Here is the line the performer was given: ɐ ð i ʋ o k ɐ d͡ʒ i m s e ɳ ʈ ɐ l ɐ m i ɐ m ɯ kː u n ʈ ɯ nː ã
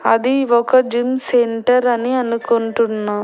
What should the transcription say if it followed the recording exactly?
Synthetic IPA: ɐ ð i ʋ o k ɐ d͡ʒ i m s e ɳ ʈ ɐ ɾ ɐ n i ɐ n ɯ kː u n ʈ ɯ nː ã